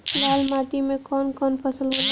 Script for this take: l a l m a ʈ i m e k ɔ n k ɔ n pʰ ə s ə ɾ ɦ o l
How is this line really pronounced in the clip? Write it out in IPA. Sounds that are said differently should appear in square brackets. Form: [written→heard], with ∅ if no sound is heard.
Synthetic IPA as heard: l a l m a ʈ i m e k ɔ n k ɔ n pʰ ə s ə [ɾ→l] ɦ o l